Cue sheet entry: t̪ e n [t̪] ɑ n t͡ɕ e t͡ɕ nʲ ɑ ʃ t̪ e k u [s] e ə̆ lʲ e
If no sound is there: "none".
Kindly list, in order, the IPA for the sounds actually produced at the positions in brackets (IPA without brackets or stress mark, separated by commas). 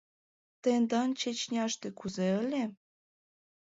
d̪, z